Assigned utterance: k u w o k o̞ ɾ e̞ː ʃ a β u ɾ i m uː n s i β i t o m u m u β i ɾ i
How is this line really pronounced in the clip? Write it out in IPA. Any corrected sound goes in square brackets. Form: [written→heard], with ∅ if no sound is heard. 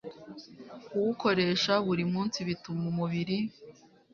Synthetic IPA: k u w [o→u] k o̞ ɾ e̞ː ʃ a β u ɾ i m uː n s i β i t [o→u] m u m u β i ɾ i